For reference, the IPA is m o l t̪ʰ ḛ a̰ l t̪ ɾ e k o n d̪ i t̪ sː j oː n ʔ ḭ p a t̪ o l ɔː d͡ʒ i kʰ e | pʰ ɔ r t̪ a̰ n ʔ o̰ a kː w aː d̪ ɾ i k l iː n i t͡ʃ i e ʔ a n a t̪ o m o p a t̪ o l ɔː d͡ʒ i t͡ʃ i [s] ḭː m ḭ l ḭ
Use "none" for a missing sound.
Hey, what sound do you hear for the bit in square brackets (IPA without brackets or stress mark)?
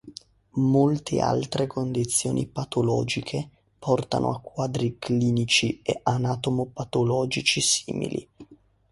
s